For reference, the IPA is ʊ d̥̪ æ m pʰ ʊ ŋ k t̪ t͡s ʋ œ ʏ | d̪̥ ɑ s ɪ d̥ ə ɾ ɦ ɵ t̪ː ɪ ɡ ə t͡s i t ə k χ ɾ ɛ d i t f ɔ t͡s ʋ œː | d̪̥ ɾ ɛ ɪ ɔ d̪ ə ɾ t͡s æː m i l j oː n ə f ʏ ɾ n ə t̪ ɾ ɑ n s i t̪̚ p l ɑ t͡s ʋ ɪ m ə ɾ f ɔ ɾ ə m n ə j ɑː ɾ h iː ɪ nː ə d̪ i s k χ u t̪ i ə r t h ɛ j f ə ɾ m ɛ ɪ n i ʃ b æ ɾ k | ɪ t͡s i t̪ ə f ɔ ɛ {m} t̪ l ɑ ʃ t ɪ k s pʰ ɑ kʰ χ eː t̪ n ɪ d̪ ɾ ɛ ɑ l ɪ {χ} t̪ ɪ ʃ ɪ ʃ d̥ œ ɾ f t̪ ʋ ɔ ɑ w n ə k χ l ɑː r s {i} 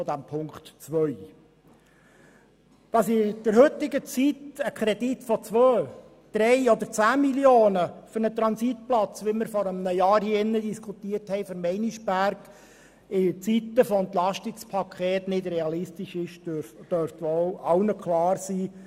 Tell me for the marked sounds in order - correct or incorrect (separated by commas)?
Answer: incorrect, incorrect, incorrect